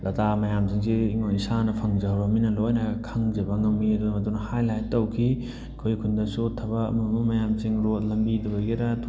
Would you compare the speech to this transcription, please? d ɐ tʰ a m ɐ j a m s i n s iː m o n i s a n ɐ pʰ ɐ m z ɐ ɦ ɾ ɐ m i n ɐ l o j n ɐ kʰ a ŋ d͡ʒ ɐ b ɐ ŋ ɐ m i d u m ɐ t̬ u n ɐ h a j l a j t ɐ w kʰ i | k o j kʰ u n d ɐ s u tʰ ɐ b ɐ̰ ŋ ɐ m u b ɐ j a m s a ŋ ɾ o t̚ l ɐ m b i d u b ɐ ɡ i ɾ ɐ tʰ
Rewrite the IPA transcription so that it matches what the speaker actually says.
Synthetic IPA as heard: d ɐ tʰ a m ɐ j a m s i ŋ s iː ŋ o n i s a n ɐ pʰ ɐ ŋ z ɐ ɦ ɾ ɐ m i n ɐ l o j n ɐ kʰ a ŋ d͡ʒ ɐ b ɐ ŋ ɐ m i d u m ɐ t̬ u n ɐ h a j l a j t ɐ w kʰ i | kʰ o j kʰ u n d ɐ s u tʰ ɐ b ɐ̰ m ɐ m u m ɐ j a m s i ŋ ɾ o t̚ l ɐ m b i d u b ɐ ɡ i ɾ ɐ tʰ